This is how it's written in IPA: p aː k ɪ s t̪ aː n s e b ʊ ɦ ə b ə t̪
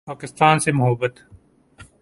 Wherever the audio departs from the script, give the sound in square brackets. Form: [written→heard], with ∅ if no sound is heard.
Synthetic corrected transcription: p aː k ɪ s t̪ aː n s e [b→m] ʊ ɦ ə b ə t̪